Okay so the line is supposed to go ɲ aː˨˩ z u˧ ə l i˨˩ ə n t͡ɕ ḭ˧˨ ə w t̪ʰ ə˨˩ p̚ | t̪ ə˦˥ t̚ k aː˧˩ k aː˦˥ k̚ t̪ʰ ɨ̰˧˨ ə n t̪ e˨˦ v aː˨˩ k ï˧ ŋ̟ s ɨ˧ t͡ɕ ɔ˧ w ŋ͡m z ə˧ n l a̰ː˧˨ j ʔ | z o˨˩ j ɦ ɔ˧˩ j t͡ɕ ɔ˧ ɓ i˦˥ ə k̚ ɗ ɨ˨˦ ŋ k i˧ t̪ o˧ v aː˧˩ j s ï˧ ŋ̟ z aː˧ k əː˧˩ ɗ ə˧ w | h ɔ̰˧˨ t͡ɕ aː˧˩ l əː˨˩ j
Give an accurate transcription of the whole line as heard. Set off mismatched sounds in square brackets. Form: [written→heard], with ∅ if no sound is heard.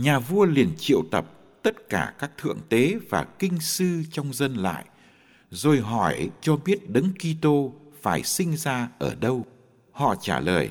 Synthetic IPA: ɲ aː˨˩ [z→v] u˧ ə l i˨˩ ə n t͡ɕ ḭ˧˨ ə w [t̪ʰ→t̪] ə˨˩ p̚ | t̪ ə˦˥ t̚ k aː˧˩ k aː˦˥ k̚ t̪ʰ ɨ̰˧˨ ə [n→ŋ] t̪ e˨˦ v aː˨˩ k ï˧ ŋ̟ s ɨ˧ t͡ɕ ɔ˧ w ŋ͡m z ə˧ n l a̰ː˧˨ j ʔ | z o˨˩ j ɦ ɔ˧˩ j t͡ɕ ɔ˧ ɓ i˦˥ ə [k̚→t̚] ɗ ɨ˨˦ ŋ k i˧ t̪ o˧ [v→f] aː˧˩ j s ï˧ ŋ̟ z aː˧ [k→ʔ] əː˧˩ ɗ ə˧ w | h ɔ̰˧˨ t͡ɕ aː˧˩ l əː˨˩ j